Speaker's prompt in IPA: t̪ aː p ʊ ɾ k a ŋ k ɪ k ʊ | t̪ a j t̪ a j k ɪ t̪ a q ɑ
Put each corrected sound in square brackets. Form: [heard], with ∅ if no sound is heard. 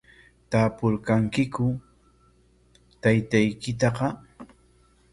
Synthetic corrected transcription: t̪ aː p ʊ ɾ k a ŋ k ɪ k ʊ | t̪ a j t̪ a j k ɪ t̪ [ɑ] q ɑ